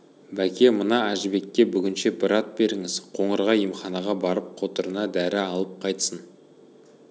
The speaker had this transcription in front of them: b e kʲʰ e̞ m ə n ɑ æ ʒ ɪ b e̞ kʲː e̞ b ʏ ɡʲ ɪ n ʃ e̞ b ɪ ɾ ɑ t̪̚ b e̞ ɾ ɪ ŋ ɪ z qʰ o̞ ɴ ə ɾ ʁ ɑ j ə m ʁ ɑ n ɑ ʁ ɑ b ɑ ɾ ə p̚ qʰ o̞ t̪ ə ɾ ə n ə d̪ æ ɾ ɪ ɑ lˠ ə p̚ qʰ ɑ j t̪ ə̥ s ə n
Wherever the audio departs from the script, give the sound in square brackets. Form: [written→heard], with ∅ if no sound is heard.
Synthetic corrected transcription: b [e→æ] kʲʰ e̞ m ə n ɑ æ ʒ ɪ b e̞ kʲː e̞ b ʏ ɡʲ ɪ n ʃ e̞ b ɪ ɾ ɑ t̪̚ b e̞ ɾ ɪ ŋ ɪ z qʰ o̞ ɴ ə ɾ ʁ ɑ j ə m [ʁ→χ] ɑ n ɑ ʁ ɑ b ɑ ɾ ə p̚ qʰ o̞ t̪ ə ɾ ə n [ə→ɑ] d̪ æ ɾ ɪ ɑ lˠ ə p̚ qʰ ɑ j t̪ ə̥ s ə n